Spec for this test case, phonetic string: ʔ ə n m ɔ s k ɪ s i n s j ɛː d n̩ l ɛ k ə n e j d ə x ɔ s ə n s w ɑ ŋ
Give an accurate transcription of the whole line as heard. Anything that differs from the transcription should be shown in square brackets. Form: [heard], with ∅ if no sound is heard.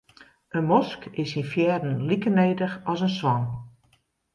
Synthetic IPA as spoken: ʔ ə n m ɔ s k ɪ s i n [f] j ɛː d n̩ l [i] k ə n e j d ə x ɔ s ə n s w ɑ [n]